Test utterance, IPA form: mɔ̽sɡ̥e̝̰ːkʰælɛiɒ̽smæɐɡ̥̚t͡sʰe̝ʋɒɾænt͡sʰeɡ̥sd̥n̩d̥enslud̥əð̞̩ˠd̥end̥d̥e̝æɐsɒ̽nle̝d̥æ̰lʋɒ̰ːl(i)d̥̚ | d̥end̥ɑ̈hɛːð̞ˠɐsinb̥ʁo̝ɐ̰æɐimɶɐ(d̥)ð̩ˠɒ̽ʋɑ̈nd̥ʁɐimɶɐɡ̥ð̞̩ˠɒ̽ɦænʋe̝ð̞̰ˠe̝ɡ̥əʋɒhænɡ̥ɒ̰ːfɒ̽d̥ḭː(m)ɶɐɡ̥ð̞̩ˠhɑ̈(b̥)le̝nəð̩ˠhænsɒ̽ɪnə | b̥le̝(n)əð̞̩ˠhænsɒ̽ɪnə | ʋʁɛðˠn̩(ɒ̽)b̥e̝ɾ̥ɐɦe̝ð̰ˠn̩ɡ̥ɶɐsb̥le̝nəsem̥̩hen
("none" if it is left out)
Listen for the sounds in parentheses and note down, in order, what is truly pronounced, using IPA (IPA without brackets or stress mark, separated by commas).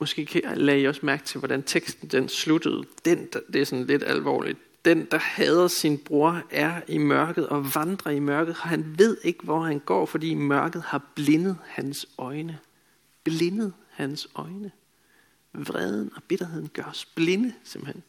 i, ɡ̥, m, b̥, n, ɒ̽